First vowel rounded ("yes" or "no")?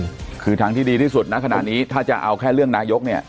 no